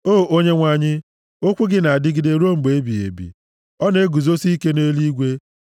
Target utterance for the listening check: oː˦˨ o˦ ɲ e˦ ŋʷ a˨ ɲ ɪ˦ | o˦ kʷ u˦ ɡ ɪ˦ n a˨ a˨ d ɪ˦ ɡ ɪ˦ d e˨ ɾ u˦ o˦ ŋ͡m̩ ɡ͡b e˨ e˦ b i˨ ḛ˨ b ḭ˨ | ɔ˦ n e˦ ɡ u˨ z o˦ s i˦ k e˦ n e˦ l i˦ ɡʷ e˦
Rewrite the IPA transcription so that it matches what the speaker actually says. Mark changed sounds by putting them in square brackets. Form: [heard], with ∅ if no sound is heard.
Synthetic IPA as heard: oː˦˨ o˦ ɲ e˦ ŋʷ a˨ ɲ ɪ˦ | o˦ kʷ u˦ ɡ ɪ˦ n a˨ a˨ d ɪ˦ ɡ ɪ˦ d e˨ ɾ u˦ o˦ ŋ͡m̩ ɡ͡b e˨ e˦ b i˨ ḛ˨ b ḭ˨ | ɔ˦ n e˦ ɡ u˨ z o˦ s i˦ k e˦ n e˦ l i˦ ɡʷ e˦

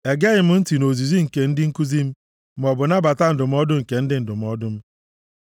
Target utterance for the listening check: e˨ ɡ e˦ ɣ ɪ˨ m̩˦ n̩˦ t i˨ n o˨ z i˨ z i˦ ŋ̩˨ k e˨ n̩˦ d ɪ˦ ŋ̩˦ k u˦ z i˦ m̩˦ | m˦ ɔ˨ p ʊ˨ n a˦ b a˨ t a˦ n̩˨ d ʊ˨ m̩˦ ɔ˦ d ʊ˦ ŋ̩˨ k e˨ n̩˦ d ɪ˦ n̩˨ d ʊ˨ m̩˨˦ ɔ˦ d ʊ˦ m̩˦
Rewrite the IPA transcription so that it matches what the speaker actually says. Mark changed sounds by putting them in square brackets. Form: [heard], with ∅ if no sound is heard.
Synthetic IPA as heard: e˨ ɡ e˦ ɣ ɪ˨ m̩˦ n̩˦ t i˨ n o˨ z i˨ z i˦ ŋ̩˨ k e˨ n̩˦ d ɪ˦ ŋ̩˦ k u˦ z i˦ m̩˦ | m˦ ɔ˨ [b] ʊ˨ n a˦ b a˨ t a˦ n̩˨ d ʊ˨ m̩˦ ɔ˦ d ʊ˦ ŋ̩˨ k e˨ n̩˦ d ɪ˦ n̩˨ d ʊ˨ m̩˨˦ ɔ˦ d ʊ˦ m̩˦

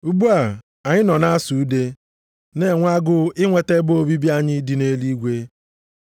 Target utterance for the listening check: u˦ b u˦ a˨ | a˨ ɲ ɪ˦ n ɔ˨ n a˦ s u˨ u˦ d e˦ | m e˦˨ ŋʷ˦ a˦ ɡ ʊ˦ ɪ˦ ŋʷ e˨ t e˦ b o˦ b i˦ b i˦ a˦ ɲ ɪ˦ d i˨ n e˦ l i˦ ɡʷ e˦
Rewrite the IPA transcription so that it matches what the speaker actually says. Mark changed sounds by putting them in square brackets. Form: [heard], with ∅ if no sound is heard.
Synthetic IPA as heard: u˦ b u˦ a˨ | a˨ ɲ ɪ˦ n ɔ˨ n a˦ s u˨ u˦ d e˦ | [n] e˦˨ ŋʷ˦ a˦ ɡ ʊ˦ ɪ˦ ŋʷ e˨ t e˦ b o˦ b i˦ b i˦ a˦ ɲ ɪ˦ d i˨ n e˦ l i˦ ɡʷ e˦

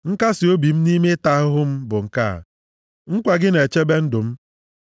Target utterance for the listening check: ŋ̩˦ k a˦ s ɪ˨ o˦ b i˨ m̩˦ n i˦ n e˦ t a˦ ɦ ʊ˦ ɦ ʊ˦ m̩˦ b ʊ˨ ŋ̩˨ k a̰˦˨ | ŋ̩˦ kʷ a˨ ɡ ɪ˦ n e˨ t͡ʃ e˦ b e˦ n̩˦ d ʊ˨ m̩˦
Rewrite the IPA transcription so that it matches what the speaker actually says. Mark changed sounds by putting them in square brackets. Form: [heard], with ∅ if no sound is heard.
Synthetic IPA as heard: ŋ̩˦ k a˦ s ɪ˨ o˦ b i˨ m̩˦ n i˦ [m] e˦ t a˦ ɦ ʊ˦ ɦ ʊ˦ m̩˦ b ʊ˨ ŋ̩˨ k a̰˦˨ | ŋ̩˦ kʷ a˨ ɡ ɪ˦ n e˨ t͡ʃ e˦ b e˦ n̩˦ d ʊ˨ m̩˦

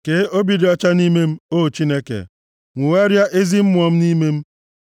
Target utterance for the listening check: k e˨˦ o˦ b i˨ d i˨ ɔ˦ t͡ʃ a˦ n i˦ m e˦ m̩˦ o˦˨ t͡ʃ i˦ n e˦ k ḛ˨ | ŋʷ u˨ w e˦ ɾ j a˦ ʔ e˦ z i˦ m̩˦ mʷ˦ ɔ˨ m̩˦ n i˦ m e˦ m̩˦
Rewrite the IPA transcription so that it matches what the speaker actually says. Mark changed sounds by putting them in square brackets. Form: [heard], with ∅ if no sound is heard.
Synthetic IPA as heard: k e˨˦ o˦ b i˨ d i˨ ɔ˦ t͡ʃ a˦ n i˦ m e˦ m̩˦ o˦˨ t͡ʃ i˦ n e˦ k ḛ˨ | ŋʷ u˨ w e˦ ɾ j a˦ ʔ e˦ z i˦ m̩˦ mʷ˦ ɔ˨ m̩˦ n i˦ m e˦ m̩˦

